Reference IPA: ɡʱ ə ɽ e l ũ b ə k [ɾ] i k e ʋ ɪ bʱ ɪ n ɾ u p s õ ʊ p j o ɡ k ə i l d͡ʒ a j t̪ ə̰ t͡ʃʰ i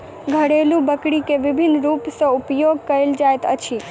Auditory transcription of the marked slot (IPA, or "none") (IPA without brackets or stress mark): ɽ